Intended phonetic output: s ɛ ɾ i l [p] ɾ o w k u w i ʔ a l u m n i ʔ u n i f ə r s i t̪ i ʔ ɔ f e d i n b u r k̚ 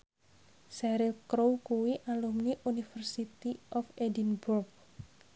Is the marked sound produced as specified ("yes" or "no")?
no